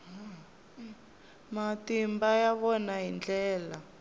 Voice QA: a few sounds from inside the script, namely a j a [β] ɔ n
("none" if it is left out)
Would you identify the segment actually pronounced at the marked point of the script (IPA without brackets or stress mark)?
β